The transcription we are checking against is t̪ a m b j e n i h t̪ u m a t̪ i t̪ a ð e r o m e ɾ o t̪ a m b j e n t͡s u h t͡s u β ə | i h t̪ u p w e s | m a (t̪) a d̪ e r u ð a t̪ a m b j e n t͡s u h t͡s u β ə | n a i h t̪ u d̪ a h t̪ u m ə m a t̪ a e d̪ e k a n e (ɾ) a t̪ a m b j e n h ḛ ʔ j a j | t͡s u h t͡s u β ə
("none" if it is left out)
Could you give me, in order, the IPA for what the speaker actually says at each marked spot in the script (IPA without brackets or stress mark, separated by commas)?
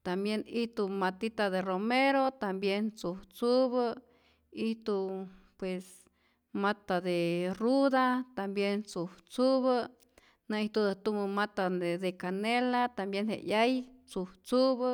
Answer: t̪, l